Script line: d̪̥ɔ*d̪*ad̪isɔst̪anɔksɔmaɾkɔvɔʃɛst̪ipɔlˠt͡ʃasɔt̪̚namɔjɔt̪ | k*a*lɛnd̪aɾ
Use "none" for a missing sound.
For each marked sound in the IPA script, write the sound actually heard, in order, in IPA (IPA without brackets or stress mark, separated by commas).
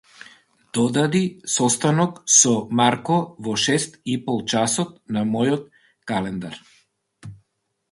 d̪, a